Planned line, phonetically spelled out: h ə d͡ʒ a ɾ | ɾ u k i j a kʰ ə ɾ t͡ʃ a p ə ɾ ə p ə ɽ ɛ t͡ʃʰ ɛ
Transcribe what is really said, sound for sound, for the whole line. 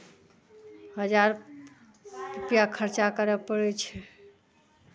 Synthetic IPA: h ə d͡ʒ a ɾ | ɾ u p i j a kʰ ə ɾ t͡ʃ a k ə ɾ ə p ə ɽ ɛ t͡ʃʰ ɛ